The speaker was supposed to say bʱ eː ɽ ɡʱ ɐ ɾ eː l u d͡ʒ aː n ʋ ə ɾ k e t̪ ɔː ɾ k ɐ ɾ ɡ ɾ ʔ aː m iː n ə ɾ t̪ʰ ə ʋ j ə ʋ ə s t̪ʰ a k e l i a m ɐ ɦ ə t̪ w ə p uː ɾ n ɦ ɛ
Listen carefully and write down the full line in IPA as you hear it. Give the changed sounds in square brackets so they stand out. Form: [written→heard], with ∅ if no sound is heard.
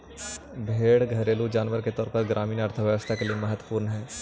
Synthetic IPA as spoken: bʱ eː ɽ ɡʱ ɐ ɾ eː l u d͡ʒ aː n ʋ ə ɾ k e t̪ ɔː ɾ [k→p] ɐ ɾ ɡ ɾ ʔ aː m iː n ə ɾ t̪ʰ ə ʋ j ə ʋ ə s t̪ʰ a k e l i [a→e] m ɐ ɦ ə t̪ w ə p uː ɾ n ɦ [ɛ→ɛː]